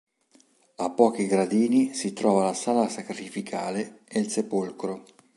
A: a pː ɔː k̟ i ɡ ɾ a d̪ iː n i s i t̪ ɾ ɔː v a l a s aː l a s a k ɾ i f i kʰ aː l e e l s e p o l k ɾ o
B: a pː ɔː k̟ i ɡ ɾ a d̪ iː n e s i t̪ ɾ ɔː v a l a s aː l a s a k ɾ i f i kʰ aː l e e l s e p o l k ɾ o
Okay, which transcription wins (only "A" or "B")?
A